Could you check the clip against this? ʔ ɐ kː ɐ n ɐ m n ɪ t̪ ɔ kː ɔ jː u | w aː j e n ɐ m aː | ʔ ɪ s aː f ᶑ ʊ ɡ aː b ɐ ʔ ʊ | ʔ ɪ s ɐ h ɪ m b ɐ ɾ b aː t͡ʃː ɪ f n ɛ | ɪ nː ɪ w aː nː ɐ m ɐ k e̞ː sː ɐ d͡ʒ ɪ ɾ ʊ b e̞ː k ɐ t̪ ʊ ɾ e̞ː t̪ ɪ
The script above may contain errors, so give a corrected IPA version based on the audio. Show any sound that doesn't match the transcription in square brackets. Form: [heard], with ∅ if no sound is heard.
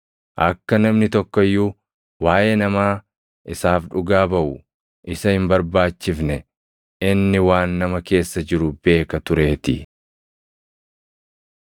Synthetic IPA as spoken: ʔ ɐ kː ɐ n ɐ m n ɪ t̪ ɔ kː ɔ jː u | w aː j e n ɐ m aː | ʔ ɪ s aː f ᶑ ʊ ɡ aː b ɐ ʔ ʊ | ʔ ɪ s ɐ h ɪ m b ɐ ɾ b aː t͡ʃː ɪ f n ɛ | ɪ nː ɪ w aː nː ɐ m ɐ k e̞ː sː ɐ d͡ʒ ɪ ɾ ʊ b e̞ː k ɐ t̪ ʊ ɾ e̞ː t̪ ɪ